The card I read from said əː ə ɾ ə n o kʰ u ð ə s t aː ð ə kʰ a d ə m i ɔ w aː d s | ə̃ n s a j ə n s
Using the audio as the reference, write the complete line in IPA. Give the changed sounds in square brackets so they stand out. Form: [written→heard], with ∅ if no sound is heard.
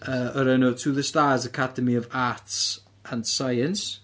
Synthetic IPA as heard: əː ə ɾ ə n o [kʰ→tʰ] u ð ə s t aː [ð→z] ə kʰ a d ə m i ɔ [w→v] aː [d→t] s | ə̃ n s a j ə n s